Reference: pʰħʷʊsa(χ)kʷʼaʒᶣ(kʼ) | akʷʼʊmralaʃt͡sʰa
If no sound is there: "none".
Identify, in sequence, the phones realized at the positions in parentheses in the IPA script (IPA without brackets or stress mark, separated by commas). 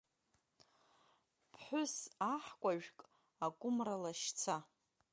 ħ, kʼ